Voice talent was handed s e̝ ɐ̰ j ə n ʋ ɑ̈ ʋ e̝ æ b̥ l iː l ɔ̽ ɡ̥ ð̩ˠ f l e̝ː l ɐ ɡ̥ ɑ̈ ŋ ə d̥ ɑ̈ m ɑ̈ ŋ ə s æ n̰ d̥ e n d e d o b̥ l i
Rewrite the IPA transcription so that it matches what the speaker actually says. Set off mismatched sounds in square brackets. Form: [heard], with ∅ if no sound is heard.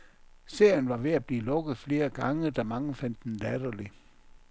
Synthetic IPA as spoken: s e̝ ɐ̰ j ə n ʋ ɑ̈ ʋ e̝ æ b̥ l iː l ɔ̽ ɡ̥ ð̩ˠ f l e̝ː [∅] ɐ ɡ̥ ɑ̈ ŋ ə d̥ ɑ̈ m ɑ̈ ŋ ə [f] æ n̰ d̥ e n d [æ] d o [∅] l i